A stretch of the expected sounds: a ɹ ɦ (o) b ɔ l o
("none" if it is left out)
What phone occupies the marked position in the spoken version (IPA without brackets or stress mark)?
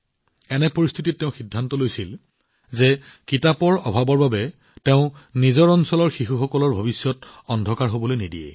o